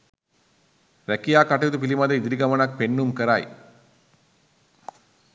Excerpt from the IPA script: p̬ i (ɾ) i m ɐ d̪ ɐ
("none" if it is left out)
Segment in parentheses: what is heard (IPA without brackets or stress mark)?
l